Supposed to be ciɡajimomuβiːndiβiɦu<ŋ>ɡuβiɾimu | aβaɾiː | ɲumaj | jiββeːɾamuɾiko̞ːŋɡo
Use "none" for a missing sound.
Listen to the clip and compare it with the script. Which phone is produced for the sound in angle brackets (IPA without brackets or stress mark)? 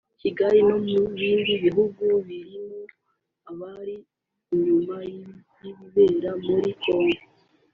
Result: none